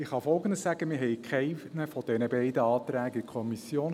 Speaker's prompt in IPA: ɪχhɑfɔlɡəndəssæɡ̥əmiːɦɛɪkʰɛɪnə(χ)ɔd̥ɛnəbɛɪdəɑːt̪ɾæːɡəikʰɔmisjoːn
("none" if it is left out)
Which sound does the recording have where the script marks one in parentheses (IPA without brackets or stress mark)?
f